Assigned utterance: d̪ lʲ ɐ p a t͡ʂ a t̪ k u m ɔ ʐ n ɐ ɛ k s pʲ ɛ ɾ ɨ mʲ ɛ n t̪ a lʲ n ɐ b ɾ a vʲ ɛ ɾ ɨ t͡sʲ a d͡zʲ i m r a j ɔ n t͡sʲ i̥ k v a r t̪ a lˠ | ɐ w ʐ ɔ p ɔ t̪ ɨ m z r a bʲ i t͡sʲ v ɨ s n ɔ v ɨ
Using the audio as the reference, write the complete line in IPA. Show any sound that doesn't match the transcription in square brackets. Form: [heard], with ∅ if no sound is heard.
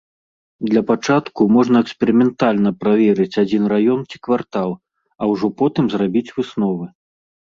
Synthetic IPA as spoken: d̪ lʲ ɐ p a t͡ʂ a t̪ k u m ɔ ʐ n ɐ ɛ k s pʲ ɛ ɾ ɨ mʲ ɛ n t̪ a lʲ n ɐ [p] ɾ a vʲ ɛ ɾ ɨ t͡sʲ a d͡zʲ i [n] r a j ɔ n t͡sʲ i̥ k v a r t̪ a lˠ | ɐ w ʐ ɔ p ɔ t̪ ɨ m z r a bʲ i t͡sʲ v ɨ s n ɔ v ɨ